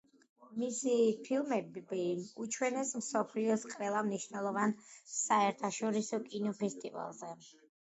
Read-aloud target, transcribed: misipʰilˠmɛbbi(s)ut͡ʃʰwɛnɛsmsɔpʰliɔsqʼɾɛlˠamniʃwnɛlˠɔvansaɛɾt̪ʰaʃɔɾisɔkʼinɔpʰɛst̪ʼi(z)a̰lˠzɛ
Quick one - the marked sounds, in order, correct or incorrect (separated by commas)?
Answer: incorrect, incorrect